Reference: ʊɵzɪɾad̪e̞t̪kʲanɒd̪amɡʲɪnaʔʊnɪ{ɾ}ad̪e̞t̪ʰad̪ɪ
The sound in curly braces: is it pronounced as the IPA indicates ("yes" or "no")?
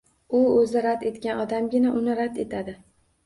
yes